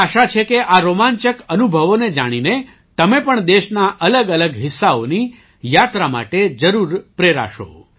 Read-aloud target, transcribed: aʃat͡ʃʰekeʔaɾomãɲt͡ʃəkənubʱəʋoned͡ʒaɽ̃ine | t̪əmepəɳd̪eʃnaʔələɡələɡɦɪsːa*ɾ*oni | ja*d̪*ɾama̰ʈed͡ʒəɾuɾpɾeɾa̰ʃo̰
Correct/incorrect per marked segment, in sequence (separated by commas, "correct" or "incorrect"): incorrect, incorrect